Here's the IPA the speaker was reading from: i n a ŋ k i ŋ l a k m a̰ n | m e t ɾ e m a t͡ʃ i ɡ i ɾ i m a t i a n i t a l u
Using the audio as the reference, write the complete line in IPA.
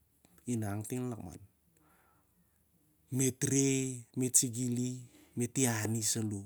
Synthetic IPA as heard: i n a ŋ t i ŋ l a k m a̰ n | m e t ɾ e m e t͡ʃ i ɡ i l i m e t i a n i s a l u